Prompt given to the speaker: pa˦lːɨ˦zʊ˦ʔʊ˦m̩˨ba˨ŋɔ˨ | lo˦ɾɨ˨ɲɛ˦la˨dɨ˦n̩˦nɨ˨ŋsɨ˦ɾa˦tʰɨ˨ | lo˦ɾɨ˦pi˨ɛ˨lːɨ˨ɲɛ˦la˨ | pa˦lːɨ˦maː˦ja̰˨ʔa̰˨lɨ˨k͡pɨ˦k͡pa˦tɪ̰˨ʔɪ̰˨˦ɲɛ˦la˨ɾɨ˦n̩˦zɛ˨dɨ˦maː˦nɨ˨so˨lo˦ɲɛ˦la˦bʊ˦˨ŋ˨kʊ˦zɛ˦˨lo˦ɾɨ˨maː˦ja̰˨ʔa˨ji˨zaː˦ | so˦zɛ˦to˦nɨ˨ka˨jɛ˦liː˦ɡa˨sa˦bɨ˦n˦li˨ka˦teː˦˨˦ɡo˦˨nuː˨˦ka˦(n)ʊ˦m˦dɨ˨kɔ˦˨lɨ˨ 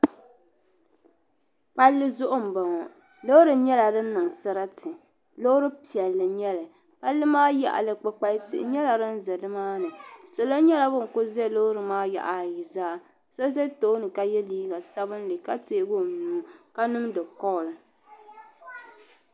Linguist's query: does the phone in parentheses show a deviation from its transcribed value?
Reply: no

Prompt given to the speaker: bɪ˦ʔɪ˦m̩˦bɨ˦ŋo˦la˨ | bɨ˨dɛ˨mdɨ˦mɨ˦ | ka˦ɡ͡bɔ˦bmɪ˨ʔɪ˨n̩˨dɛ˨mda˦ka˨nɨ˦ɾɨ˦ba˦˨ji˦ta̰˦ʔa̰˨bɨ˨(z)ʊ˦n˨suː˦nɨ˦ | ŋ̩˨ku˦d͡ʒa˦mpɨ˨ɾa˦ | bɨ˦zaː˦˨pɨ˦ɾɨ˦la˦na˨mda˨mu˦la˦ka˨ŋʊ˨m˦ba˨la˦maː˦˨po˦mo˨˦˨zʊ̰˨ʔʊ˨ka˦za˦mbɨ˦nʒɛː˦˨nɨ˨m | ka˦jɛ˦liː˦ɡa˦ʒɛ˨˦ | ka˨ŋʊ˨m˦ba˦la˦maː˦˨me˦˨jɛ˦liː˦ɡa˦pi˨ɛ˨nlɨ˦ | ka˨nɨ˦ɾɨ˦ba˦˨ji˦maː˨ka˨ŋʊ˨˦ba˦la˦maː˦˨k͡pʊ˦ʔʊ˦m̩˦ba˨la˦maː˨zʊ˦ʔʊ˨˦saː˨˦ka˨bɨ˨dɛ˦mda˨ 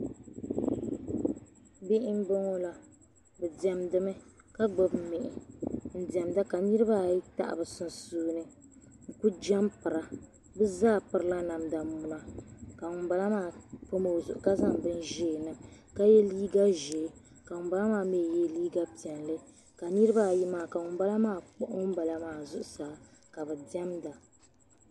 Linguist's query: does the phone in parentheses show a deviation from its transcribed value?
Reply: yes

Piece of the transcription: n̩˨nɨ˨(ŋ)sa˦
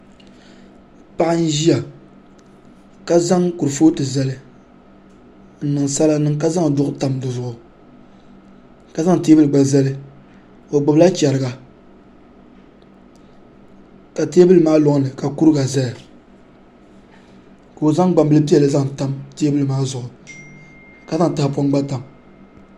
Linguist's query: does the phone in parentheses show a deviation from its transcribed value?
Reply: no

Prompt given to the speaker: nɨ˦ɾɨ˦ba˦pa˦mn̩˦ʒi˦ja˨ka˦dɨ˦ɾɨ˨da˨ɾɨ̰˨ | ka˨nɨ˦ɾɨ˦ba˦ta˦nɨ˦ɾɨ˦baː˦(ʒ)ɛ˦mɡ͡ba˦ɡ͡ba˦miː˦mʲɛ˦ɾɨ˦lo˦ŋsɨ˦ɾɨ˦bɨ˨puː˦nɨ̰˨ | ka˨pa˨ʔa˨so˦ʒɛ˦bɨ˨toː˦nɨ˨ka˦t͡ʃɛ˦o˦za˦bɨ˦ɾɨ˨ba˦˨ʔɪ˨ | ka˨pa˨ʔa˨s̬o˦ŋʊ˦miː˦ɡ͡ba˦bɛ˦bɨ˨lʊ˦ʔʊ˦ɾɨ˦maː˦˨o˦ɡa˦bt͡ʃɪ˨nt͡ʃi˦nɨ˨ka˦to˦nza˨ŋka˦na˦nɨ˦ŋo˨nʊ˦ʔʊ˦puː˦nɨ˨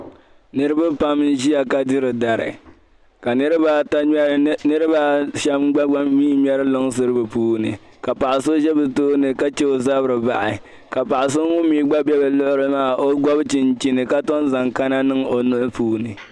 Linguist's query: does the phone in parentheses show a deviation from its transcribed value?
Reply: yes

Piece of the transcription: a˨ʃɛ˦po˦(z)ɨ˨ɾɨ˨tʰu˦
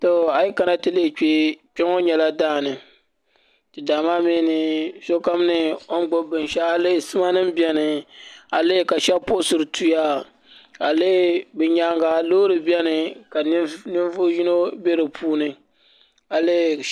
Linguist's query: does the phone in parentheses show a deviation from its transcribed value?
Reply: yes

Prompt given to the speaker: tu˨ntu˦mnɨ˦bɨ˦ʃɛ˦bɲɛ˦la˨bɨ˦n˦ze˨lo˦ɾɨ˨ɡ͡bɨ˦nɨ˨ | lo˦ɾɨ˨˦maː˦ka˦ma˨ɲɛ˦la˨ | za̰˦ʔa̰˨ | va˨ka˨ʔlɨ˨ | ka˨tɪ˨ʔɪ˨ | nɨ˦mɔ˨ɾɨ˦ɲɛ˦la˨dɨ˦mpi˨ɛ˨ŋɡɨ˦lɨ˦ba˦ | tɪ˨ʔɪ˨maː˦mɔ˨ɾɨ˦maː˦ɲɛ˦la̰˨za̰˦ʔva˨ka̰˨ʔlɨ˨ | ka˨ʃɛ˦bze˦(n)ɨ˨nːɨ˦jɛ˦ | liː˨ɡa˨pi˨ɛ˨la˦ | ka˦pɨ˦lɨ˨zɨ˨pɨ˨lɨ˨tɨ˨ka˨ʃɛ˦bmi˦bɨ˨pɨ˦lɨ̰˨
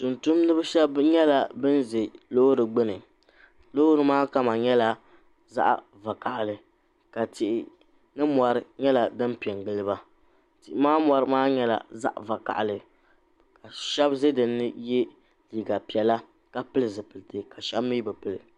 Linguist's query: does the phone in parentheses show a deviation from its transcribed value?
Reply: yes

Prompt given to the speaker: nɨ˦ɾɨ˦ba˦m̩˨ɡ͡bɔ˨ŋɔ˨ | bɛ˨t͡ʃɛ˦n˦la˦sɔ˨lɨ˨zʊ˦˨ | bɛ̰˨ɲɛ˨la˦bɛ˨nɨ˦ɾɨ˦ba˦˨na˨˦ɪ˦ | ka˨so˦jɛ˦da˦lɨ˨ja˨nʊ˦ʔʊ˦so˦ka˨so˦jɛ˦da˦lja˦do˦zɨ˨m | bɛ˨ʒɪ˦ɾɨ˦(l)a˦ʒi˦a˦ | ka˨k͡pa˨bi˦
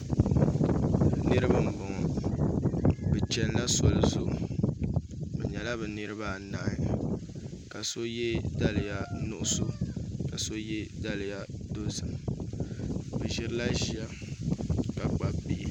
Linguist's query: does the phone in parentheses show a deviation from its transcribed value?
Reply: no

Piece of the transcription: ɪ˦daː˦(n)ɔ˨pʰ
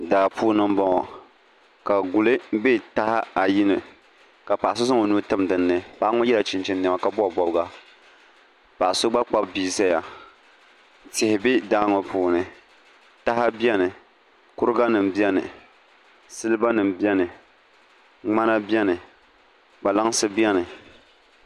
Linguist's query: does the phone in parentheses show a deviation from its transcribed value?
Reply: yes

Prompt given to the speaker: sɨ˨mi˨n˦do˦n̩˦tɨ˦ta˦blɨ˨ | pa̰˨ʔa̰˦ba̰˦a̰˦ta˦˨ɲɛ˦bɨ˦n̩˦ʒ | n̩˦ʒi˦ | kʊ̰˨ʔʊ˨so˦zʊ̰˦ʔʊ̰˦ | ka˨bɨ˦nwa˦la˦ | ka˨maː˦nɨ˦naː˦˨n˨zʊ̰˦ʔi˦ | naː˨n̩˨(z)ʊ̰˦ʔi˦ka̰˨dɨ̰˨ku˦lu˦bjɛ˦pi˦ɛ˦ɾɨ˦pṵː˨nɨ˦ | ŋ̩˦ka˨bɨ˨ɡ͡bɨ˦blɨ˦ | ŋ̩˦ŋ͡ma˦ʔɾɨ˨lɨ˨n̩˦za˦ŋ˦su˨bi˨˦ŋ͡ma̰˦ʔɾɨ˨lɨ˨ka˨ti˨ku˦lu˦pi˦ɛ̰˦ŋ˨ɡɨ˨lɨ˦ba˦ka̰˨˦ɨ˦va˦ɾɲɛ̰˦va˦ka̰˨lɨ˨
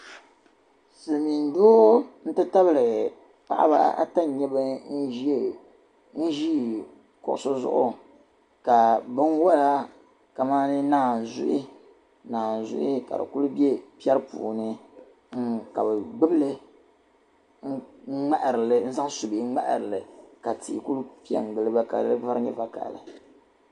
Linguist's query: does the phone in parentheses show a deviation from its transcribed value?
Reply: no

